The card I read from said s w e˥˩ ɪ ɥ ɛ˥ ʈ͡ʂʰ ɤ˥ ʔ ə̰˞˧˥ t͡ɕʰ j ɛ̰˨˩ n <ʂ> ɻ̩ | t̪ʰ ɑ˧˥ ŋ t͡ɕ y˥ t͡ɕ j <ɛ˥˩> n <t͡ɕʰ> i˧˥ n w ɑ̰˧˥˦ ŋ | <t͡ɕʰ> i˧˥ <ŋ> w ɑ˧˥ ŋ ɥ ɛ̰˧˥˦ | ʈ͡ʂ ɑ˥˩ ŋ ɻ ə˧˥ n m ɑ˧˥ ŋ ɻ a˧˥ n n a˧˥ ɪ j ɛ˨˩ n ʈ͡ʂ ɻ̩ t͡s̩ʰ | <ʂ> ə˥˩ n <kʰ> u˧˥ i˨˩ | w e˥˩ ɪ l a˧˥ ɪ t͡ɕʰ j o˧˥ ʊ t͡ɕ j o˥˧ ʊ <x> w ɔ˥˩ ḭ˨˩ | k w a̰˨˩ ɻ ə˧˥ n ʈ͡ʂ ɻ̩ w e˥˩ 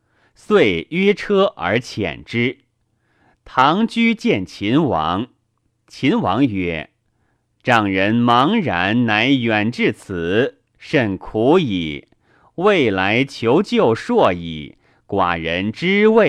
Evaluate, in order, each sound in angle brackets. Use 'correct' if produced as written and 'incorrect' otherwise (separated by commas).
incorrect, correct, correct, correct, incorrect, correct, correct, incorrect